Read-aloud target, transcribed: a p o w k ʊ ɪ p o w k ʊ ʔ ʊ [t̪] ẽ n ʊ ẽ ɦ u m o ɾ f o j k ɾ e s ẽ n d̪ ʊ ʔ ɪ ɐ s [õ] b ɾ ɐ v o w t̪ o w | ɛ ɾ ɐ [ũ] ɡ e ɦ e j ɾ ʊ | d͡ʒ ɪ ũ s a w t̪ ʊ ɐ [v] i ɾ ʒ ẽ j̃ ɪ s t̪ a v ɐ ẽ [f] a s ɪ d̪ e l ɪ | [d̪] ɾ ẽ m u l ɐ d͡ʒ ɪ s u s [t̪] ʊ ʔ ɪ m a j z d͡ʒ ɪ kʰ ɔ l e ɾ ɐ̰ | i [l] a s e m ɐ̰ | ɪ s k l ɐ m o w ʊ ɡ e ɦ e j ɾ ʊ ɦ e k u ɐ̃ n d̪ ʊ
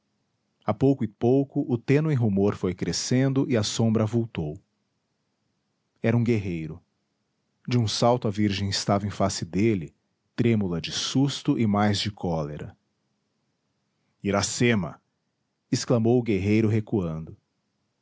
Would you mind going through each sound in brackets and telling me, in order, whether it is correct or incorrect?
correct, correct, correct, correct, correct, incorrect, correct, incorrect

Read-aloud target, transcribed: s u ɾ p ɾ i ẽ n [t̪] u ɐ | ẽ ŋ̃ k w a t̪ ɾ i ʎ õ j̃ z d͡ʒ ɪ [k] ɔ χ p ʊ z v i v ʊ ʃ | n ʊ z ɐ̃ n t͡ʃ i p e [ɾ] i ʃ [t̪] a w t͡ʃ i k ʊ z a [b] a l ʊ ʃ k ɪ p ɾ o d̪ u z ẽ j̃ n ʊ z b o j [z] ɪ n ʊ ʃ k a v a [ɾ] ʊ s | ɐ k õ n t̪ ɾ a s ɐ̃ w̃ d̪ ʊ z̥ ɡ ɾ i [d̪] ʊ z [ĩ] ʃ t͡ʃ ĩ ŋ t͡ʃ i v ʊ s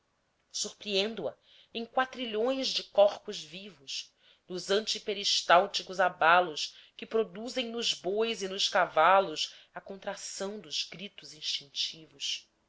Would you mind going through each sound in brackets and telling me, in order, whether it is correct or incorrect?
incorrect, correct, correct, correct, correct, correct, incorrect, incorrect, correct

